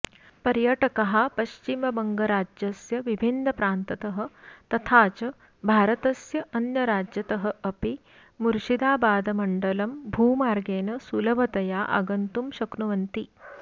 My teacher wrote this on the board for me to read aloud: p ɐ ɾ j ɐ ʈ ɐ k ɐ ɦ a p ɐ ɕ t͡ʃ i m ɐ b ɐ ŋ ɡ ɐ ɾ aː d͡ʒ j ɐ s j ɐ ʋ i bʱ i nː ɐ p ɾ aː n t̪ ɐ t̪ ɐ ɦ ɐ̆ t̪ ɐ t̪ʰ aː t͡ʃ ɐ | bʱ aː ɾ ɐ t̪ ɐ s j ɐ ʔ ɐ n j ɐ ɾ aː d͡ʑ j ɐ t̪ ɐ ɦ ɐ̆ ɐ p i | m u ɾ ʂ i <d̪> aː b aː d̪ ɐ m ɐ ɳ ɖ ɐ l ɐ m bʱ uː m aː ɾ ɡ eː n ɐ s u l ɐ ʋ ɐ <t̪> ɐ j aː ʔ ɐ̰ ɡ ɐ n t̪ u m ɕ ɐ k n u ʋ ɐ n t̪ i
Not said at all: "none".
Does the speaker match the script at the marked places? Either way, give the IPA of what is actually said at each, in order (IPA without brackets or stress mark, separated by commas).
d̪, t̪